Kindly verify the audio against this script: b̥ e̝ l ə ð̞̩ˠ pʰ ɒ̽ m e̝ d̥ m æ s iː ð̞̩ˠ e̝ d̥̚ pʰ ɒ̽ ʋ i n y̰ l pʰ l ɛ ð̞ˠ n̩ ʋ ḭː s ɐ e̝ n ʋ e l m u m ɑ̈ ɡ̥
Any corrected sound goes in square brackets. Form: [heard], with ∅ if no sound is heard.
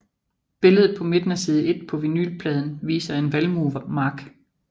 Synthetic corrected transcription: b̥ e̝ l ə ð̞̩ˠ pʰ ɒ̽ m e̝ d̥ [n] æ s iː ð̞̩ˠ e̝ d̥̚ pʰ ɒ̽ ʋ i n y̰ l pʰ l ɛ ð̞ˠ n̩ ʋ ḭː s ɐ e̝ n ʋ [æ] l m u m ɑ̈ ɡ̥